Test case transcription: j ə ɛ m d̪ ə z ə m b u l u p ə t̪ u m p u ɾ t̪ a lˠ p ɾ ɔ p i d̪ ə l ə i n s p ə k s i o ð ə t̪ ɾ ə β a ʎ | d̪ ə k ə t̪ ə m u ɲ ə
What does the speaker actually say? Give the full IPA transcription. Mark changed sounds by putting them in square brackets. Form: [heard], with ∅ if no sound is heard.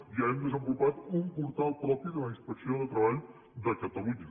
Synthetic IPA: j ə ɛ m d̪ ə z ə m b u l u p [a] t̪ u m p u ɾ t̪ a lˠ p ɾ ɔ p i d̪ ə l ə i n s p ə k s i o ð ə t̪ ɾ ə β a ʎ | d̪ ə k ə t̪ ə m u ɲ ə

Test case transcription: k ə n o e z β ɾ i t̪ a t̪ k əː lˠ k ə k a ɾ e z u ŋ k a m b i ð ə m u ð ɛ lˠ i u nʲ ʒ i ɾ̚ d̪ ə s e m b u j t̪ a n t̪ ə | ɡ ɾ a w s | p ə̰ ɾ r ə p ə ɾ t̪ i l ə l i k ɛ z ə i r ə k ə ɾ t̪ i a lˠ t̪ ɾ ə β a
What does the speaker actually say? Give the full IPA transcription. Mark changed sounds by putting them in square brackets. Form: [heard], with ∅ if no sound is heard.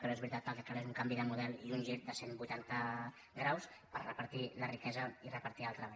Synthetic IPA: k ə n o e z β ɾ i t̪ a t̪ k [ə] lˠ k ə k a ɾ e z u ŋ k a m b i ð ə m u ð ɛ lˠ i u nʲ ʒ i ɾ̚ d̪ ə s e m b u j t̪ a n t̪ ə | ɡ ɾ a w s | p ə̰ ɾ r ə p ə ɾ t̪ i l ə [r] i k ɛ z ə i r ə [p] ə ɾ t̪ i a lˠ t̪ ɾ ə β a

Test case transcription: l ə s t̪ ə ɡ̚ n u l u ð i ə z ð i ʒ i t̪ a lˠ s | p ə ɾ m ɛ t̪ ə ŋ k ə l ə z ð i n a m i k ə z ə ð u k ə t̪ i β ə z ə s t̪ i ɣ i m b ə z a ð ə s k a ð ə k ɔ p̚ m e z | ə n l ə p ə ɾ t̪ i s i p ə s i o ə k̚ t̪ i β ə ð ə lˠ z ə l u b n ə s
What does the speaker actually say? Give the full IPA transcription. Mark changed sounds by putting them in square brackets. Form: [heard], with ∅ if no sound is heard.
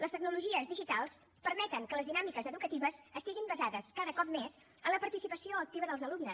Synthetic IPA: l ə s t̪ ə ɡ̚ n u l u [ʒ] i ə z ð i ʒ i t̪ a lˠ s | p ə ɾ m ɛ t̪ ə ŋ k ə l ə z ð i n a m i k ə z ə ð u k ə t̪ i β ə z ə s t̪ i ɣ i m b ə z a ð ə s k a ð ə k ɔ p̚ m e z | ə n l ə p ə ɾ t̪ i s i p ə s i o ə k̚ t̪ i β ə ð ə lˠ z ə l u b n ə s

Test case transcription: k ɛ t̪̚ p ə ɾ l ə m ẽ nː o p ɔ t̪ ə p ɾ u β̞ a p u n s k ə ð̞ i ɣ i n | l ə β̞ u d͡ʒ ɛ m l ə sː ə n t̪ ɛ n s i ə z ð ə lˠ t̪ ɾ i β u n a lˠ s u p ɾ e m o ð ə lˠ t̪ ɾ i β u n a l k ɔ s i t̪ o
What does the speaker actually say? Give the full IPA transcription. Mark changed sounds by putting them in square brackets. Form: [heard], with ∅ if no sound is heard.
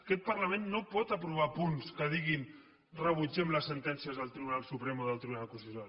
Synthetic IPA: k ɛ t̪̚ p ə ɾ l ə m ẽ nː o p ɔ t̪ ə p ɾ u β̞ a p u n s k ə ð̞ i ɣ i n | [r] ə β̞ u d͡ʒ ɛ m l ə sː ə n t̪ ɛ n s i ə z ð ə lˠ t̪ ɾ i β u n a lˠ s u p ɾ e m o ð ə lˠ t̪ ɾ i β u n a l k [u] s i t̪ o

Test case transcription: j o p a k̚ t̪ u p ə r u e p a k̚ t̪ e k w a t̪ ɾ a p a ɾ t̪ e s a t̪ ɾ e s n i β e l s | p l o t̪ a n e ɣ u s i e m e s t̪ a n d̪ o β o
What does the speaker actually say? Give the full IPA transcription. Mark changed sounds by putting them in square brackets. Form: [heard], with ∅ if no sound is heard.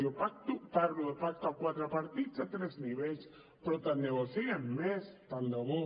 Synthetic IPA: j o p a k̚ t̪ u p [a] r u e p a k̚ t̪ [a] k w a t̪ ɾ a p a ɾ t̪ [i] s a t̪ ɾ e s n i β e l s | p [ɾ] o t̪ a n e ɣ [o] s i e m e s t̪ a n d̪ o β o

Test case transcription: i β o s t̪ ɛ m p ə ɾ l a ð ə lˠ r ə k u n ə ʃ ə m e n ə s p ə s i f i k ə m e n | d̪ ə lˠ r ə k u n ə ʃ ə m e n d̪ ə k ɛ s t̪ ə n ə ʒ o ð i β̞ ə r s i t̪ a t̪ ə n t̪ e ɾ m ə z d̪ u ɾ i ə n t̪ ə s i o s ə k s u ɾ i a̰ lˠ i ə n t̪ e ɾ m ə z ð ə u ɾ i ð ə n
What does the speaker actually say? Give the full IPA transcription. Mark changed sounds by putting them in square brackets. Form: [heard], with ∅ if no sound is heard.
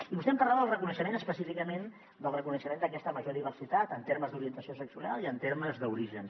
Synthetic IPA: i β [u] s t̪ ɛ m p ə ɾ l a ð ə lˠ r ə k u n ə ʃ ə m e n ə s p ə s i f i k ə m e n | d̪ ə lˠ r ə k u n ə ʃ ə m e n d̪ ə k ɛ s t̪ ə [m] ə ʒ o ð i β̞ ə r s i t̪ a t̪ ə n t̪ e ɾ m ə z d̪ u ɾ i ə n t̪ ə s i o s ə k s u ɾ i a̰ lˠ i ə n t̪ e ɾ m ə z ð ə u ɾ i [ʒ] ə n

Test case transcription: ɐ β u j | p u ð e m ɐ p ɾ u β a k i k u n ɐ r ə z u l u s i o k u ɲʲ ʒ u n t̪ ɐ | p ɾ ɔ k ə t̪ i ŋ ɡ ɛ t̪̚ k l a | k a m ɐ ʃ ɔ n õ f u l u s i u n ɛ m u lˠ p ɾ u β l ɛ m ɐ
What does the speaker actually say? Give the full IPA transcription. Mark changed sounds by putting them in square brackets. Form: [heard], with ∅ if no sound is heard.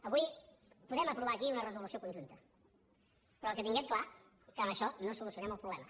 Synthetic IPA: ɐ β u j | p u ð [ɛ] m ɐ p ɾ u β a k i [∅] u n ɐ r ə z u l u s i o k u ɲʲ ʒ u n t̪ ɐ | p ɾ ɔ k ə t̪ i ŋ ɡ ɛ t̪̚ k l a | k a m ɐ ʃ ɔ n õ [s] u l u s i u n ɛ m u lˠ p ɾ u β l ɛ m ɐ

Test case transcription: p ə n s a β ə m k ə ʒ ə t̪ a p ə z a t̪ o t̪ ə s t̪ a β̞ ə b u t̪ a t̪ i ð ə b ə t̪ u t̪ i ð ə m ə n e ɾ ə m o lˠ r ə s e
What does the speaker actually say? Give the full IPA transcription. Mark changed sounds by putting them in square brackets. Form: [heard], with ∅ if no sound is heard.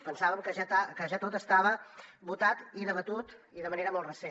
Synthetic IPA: p ə n s a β ə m k ə ʒ [a] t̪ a [k] ə [ʒ] a t̪ o t̪ ə s t̪ a β̞ ə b u t̪ a t̪ i ð ə [β] ə t̪ u t̪ i ð ə m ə n e ɾ ə m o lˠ r ə s e

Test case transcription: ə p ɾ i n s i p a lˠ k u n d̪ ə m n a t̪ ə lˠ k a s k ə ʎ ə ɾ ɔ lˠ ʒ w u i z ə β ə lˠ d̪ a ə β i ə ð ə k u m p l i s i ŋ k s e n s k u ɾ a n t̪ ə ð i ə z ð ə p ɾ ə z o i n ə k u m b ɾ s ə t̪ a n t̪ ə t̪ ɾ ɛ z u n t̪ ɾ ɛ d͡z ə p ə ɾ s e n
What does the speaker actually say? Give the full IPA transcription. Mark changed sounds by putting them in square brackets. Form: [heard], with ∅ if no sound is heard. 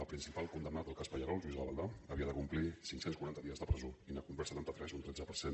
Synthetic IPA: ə p ɾ i n s i p a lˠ k u n d̪ ə m n a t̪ ə lˠ k a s [p] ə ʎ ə ɾ ɔ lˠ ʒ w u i z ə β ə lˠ d̪ a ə β i ə ð ə k u m p l i s i ŋ k s e n s k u ɾ a n t̪ ə ð i ə z ð ə p ɾ ə z o i n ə k u m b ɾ s ə t̪ a n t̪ ə t̪ ɾ ɛ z u n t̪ ɾ ɛ d͡z ə p ə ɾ s e n

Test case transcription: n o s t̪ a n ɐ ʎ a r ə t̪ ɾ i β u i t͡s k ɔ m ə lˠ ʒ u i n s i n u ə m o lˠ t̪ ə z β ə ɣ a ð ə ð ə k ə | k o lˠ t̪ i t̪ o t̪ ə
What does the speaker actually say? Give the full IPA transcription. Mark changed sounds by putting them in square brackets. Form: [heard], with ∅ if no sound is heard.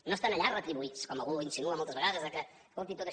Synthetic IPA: n o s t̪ a n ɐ ʎ a r ə t̪ ɾ i β u i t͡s k ɔ m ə lˠ [ɣ] u i n s i n u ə m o lˠ t̪ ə z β ə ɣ a ð ə [z] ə k ə | k o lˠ t̪ i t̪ o t̪ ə

